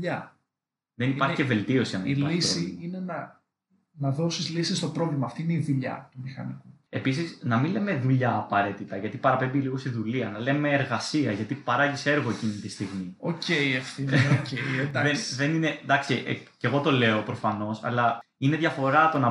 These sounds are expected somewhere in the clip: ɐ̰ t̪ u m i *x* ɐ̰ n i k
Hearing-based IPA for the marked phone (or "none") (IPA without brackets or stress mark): x